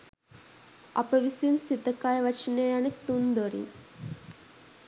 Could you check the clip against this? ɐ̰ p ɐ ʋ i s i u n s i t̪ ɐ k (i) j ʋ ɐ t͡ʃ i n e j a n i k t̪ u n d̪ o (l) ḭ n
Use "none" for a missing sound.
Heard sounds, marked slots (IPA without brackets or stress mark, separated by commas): a, ɾ